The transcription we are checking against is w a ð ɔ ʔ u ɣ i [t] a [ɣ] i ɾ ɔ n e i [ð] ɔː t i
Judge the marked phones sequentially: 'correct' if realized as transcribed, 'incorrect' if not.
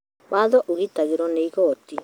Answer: correct, correct, incorrect: ɣ

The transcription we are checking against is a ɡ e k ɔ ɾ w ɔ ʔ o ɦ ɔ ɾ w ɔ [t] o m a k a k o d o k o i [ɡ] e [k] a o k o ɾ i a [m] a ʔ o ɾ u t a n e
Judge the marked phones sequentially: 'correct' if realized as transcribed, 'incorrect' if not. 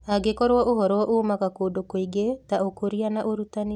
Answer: incorrect: ʔ, correct, incorrect: t, incorrect: n

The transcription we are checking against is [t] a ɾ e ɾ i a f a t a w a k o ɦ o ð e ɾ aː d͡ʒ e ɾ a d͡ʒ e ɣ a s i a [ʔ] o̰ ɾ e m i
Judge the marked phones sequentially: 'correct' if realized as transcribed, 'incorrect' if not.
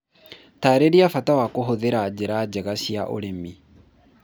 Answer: correct, correct

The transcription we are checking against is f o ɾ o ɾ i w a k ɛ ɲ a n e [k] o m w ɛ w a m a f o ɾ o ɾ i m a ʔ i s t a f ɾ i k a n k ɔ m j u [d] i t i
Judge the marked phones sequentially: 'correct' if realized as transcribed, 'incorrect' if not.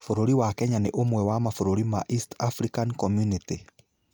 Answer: incorrect: ʔ, incorrect: n

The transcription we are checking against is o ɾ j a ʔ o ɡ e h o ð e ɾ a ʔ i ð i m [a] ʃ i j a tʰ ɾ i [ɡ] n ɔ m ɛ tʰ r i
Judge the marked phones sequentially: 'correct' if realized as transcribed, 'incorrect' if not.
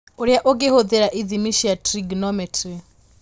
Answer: incorrect: i, correct

